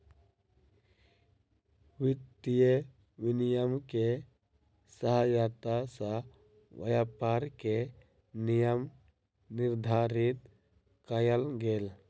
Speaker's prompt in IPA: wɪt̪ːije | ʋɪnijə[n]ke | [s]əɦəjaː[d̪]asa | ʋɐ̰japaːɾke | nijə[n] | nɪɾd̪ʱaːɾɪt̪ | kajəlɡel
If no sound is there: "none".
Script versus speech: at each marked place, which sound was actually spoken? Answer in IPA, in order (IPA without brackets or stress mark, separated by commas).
m, s, t̪, m